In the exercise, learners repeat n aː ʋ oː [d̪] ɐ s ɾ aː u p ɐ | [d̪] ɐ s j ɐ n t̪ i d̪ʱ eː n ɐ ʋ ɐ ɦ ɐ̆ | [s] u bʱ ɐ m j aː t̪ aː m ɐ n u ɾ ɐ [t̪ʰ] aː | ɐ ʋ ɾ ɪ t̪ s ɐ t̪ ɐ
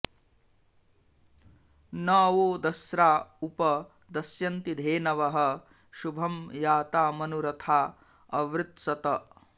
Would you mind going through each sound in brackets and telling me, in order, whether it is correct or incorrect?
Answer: correct, correct, incorrect, correct

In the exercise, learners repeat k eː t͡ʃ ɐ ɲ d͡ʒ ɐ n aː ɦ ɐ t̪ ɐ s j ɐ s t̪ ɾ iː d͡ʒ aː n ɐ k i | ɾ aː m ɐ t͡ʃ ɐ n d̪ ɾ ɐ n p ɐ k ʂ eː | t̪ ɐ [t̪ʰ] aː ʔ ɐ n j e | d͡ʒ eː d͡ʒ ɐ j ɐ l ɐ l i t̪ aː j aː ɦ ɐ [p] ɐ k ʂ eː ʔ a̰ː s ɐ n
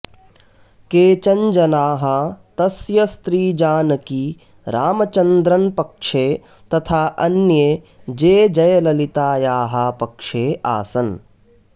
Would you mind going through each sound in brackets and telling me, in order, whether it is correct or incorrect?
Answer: correct, correct

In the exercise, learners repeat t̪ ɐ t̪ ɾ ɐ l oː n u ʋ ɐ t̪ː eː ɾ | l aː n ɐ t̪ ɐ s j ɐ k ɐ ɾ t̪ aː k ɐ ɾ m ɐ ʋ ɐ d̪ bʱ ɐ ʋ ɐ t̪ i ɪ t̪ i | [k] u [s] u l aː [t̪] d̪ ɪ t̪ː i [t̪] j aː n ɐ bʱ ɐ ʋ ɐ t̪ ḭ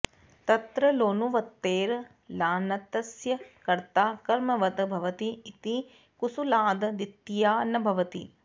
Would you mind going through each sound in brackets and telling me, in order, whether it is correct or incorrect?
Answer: correct, correct, incorrect, incorrect

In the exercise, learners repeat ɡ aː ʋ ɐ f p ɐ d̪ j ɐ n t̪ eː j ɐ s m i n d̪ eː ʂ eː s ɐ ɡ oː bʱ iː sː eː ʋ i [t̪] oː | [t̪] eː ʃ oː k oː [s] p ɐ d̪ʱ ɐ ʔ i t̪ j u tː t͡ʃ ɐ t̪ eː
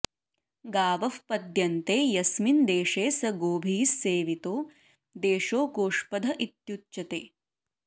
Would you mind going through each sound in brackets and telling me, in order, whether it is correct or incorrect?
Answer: correct, incorrect, incorrect

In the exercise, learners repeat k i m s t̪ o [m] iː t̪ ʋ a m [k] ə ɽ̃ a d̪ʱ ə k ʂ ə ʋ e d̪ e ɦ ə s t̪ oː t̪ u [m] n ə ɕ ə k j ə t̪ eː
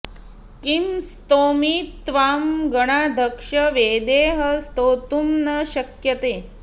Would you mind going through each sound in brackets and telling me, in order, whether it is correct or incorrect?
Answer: correct, incorrect, correct

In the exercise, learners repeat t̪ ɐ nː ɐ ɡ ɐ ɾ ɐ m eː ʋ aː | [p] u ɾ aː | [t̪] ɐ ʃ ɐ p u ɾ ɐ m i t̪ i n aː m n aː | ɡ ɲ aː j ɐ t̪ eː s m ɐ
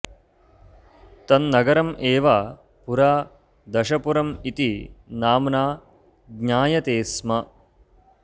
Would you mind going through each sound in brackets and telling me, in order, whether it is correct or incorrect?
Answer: correct, incorrect

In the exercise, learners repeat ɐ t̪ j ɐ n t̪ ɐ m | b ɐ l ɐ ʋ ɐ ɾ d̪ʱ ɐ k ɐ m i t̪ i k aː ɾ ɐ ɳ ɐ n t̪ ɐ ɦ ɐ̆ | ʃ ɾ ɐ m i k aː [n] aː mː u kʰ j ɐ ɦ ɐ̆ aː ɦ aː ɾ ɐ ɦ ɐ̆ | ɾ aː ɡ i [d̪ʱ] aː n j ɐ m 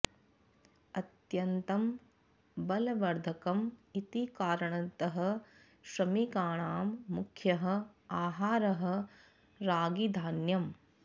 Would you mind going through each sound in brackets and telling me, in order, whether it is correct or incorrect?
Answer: incorrect, correct

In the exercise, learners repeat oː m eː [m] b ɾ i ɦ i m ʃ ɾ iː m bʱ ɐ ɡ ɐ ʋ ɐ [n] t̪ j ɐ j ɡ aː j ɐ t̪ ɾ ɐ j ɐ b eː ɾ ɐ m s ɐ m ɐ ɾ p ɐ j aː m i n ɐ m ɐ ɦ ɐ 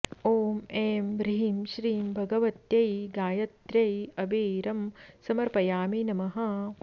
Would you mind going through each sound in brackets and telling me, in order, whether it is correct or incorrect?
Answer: correct, incorrect

